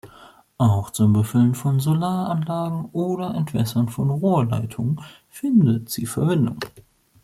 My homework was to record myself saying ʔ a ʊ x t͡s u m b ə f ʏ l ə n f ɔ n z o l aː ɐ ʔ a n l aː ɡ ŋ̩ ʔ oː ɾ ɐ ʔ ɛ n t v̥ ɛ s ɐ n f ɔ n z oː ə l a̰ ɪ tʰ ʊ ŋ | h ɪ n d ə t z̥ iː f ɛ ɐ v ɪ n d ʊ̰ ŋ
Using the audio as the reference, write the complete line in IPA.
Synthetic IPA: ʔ a ʊ x t͡s ʊ m b ə f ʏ l ə n f ɔ n z o l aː ɐ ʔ a n l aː ɡ ŋ̩ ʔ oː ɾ ɐ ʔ ɛ n t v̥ ɛ s ɐ n f ɔ n ʁ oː ɐ l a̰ ɪ tʰ ʊ ŋ | f ɪ n d ə t z̥ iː f ɛ ɐ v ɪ n d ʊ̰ ŋ